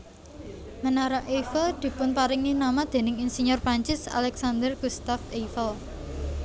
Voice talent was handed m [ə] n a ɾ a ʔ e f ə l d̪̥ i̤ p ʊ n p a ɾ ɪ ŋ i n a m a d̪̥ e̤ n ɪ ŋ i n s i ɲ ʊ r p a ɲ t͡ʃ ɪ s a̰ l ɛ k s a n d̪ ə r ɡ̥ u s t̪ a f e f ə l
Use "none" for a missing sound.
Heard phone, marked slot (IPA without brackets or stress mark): ə